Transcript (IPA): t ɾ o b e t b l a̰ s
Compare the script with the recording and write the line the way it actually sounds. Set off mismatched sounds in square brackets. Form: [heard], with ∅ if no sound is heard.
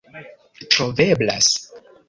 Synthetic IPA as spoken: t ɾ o [v] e [∅] b l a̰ s

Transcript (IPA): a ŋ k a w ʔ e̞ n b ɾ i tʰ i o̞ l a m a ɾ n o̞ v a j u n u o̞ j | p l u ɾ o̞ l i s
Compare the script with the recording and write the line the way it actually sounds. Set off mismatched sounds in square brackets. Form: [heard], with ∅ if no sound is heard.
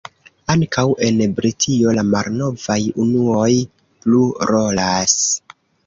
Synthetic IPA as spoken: a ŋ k a w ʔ e̞ n b ɾ i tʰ i o̞ l a m a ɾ n o̞ v a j u n u o̞ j | p l u ɾ o̞ l [a] s

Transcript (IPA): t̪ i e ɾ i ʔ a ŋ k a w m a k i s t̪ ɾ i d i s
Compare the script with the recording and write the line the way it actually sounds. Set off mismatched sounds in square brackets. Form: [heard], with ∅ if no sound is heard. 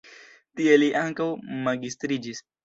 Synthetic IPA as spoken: t̪ i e [l] i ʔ a ŋ k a w m a [ɡ] i s t̪ ɾ i [d͡ʒ] i s

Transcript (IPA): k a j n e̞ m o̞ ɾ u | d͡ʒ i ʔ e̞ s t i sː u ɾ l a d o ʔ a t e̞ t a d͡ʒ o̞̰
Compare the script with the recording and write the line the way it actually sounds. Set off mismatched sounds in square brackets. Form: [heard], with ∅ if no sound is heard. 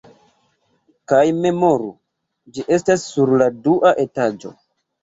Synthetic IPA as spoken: k a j [m] e̞ m o̞ ɾ u | d͡ʒ i ʔ e̞ s t [a] sː u ɾ l a d [u] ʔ a [ʔ] e̞ t a d͡ʒ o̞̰

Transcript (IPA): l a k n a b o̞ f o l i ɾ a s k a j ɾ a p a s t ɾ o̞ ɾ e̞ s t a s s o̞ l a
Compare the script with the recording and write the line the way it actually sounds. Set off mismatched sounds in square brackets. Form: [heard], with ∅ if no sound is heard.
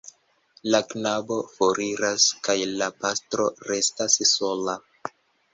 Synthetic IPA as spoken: l a k n a b o̞ f o [ɾ] i ɾ a s k a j [l] a p a s t ɾ o̞ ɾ e̞ s t a s s o̞ l a

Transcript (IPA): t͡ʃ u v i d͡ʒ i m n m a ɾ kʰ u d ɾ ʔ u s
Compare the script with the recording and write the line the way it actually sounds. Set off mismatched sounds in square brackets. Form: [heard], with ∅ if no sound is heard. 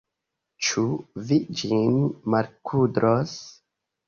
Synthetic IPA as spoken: t͡ʃ u v i d͡ʒ i [∅] n m a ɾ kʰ u d ɾ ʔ [o] s

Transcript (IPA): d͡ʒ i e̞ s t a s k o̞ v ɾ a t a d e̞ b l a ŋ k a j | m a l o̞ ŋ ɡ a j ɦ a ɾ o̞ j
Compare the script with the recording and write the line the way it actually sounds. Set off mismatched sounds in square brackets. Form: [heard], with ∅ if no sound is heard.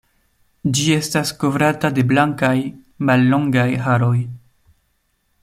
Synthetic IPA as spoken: d͡ʒ i e̞ s t a s k o̞ v ɾ a t a d e̞ b l a ŋ k a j | m a [lː] o̞ ŋ ɡ a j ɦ a ɾ o̞ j

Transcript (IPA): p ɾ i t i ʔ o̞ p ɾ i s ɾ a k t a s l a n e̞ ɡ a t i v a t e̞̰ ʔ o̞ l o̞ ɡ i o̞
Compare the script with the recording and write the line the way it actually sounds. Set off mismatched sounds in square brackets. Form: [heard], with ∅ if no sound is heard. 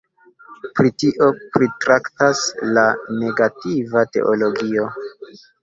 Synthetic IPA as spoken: p ɾ i t i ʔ o̞ p ɾ i [t] ɾ a k t a s l a n e̞ ɡ a t i v a t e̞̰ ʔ o̞ l o̞ ɡ i o̞

